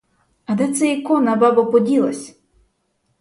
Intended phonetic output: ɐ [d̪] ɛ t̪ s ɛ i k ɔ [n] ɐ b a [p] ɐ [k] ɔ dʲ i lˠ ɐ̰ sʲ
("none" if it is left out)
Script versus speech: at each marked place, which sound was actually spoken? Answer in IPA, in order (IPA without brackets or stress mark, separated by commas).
d̪, n, b, p